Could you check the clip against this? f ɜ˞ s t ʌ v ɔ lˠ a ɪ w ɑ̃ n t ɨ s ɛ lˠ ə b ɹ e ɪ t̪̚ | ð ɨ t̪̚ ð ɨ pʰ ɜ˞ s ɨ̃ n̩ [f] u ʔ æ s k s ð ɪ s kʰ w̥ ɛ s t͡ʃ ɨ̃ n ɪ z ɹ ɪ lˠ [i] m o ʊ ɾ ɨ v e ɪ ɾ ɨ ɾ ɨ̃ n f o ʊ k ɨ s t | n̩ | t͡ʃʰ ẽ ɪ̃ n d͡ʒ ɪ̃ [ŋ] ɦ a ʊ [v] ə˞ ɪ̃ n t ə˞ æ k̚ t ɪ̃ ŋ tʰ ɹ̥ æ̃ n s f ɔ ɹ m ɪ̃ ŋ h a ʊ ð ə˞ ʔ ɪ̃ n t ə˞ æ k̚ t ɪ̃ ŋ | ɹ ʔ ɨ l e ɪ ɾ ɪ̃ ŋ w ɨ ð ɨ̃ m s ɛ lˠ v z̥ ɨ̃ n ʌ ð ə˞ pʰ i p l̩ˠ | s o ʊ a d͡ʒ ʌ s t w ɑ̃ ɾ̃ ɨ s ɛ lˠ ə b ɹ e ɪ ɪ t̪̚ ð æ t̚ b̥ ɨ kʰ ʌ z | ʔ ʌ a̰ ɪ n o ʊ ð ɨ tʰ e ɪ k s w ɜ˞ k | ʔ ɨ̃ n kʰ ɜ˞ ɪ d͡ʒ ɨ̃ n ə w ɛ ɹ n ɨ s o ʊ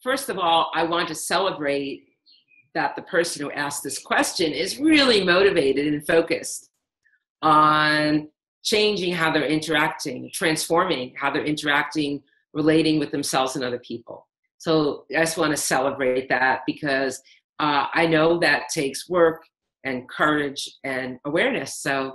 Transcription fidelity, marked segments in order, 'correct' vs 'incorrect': incorrect: h, correct, correct, incorrect: ð

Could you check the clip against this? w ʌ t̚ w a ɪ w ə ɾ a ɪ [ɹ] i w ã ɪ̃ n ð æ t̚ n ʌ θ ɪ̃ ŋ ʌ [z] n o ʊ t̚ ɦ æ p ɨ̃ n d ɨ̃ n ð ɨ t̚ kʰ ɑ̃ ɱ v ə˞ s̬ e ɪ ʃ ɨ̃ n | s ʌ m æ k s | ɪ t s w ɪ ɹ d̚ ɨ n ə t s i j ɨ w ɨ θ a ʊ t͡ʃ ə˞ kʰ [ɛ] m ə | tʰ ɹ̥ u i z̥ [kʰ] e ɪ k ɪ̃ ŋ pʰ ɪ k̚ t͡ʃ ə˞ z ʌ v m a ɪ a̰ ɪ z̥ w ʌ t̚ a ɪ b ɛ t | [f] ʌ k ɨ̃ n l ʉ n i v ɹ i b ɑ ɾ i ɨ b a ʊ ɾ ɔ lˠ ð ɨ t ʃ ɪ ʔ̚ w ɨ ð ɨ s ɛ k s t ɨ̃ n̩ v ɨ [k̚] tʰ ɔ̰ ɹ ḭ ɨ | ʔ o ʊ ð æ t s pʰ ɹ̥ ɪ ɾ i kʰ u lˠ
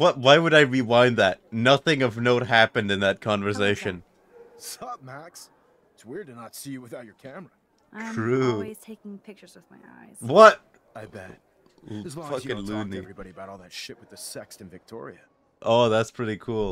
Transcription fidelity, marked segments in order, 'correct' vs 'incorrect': correct, incorrect: v, incorrect: æ, incorrect: tʰ, correct, correct

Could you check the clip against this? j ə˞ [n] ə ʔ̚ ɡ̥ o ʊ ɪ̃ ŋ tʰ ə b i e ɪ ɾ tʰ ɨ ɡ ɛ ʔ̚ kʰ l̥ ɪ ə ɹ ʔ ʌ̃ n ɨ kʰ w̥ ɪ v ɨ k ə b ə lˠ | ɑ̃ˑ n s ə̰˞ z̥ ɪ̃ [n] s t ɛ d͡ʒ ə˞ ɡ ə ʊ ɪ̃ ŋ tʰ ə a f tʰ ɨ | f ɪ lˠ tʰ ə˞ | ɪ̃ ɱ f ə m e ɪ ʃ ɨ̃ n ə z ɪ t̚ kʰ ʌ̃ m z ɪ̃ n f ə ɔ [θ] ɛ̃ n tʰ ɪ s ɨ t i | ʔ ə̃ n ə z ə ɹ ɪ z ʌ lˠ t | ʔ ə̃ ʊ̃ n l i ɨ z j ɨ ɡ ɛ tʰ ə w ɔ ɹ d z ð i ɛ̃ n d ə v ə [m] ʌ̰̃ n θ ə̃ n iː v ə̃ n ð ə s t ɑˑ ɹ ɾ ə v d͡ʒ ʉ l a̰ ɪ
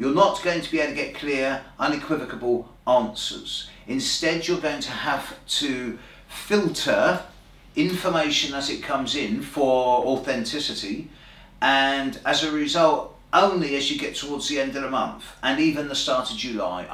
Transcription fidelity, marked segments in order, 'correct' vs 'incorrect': correct, correct, correct, correct

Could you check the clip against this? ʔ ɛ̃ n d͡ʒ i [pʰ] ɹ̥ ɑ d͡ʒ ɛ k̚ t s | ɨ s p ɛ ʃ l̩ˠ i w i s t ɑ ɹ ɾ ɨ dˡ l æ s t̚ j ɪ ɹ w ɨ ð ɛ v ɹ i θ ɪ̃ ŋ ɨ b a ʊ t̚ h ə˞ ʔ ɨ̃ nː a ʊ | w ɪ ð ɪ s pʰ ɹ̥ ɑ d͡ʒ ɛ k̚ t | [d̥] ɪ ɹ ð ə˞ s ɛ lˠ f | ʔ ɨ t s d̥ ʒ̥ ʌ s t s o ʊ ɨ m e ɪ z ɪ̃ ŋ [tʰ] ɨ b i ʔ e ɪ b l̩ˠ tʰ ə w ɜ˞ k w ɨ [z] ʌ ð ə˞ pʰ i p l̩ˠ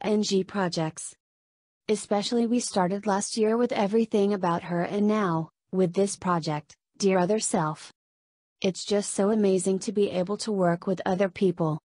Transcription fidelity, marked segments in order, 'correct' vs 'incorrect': correct, correct, correct, incorrect: ð

